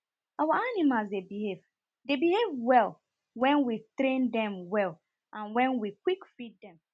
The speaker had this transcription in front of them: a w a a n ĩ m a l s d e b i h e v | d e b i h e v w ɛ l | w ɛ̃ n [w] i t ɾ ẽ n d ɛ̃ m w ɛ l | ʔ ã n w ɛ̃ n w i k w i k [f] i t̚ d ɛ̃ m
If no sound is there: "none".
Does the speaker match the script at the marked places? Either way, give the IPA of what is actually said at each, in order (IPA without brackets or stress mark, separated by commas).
w, f